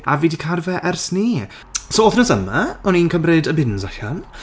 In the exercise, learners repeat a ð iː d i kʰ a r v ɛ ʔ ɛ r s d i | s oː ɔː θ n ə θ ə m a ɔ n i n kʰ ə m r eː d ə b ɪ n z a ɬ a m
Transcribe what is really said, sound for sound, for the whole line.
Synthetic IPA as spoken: a v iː d i kʰ a r v ɛ ʔ ɛ r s n i | s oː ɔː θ n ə s ə m a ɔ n i n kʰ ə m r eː d ə b ɪ n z a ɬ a n

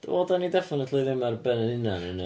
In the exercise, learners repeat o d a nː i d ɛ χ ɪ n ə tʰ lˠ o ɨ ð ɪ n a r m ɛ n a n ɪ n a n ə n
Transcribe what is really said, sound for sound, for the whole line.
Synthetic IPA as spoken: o d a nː i d ɛ f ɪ n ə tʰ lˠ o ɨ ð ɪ m a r b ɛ n ə n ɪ n a n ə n

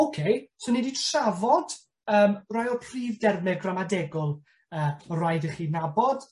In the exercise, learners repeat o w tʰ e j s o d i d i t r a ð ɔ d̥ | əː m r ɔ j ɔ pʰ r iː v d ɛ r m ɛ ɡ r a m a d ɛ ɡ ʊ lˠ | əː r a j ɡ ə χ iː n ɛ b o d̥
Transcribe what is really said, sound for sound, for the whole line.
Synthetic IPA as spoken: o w kʰ e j s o n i d i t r a v ɔ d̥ | əː m r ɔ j ɔ pʰ r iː v d ɛ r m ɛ ɡ r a m a d ɛ ɡ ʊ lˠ | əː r a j d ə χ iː n a b ɔ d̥

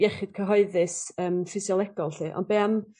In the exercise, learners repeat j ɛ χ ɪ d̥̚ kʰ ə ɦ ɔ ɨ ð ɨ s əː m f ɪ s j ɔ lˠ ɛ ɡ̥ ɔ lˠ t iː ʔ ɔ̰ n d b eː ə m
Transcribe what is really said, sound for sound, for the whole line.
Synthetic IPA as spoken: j ɛ χ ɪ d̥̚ kʰ ə ɦ ɔ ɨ ð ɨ s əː m f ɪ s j ɔ lˠ ɛ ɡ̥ ɔ lˠ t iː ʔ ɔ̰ n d b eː a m

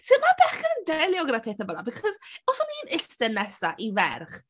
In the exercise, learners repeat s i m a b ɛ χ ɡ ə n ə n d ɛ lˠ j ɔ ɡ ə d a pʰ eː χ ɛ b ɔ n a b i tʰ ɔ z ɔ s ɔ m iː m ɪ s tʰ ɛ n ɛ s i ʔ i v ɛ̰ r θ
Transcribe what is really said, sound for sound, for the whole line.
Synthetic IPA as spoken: s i m a b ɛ χ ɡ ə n ə n d ɛ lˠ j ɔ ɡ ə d a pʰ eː θ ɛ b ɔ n a b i kʰ ɔ z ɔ s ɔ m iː n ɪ s t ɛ n ɛ s a ʔ i v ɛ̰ r χ

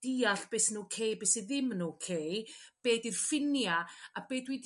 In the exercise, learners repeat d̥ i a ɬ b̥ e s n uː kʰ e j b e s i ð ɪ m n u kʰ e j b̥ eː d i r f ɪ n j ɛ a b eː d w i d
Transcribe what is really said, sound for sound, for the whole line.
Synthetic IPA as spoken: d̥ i a ɬ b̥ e s n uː kʰ e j b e s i ð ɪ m n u kʰ e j b̥ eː d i r f ɪ n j a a b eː d w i d

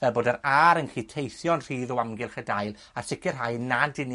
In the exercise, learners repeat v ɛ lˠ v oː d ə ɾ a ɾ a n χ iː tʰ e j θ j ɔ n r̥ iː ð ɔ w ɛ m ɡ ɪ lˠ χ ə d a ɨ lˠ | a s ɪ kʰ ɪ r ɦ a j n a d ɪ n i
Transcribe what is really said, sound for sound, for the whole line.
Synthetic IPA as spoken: v ɛ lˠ b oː d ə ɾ a ɾ ə n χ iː tʰ e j θ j ɔ n r̥ iː ð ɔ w a m ɡ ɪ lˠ χ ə d a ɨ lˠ | a s ɪ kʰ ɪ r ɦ a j n a d ɪ n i

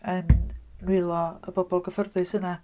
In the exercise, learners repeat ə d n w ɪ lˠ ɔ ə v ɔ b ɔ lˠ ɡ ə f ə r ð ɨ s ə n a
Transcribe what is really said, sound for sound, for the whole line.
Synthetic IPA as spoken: ə n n w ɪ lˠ ɔ ə b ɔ b ɔ lˠ ɡ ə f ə r ð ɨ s ə n a

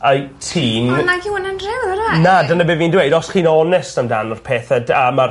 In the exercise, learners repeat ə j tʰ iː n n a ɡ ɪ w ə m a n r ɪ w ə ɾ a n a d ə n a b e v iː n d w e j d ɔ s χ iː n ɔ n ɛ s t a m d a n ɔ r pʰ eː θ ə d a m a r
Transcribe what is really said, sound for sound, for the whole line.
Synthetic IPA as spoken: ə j tʰ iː n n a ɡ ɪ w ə n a n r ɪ w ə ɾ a n a d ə n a b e v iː n d w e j d ɔ s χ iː n ɔ n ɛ s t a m d a n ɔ r pʰ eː θ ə d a m a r

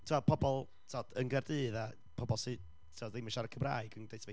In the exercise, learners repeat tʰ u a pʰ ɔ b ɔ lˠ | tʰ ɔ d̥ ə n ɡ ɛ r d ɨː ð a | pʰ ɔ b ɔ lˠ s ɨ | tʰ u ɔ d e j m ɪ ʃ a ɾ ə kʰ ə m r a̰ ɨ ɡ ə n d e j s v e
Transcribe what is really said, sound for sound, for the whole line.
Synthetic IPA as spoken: tʰ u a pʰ ɔ b ɔ lˠ | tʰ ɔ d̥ ə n ɡ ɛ r d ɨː ð a | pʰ ɔ b ɔ lˠ s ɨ | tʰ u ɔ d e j m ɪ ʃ a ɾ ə kʰ ə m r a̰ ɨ ɡ ə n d e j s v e

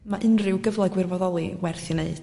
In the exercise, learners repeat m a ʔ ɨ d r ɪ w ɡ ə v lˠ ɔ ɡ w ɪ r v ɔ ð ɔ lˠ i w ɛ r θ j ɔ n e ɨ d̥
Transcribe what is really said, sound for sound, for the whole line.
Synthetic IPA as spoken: m a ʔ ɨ n r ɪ w ɡ ə v lˠ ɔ ɡ w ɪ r v ɔ ð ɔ lˠ i w ɛ r θ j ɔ n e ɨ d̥

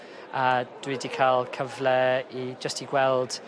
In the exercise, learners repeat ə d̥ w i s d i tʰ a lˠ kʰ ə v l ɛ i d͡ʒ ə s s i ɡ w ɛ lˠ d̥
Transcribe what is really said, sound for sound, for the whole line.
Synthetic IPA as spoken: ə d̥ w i d i kʰ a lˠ kʰ ə v l ɛ i d͡ʒ ə s t i ɡ w ɛ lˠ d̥

